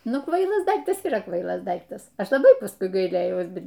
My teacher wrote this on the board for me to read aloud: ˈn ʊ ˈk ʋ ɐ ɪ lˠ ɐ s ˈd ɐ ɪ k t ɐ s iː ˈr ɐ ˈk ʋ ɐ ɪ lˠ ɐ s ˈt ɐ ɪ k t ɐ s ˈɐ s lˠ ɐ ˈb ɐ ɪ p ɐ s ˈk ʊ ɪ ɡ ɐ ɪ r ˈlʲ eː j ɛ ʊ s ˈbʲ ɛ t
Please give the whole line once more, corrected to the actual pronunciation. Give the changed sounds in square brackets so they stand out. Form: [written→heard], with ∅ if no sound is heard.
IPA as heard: ˈn ʊ ˈk ʋ ɐ ɪ lˠ ɐ s ˈd ɐ ɪ k t ɐ s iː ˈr ɐ ˈk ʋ ɐ ɪ lˠ ɐ s [ˈt→ˈd] ɐ ɪ k t ɐ s ˈɐ [s→ʃ] lˠ ɐ ˈb ɐ ɪ p ɐ s ˈk ʊ ɪ ɡ ɐ ɪ [r→∅] ˈlʲ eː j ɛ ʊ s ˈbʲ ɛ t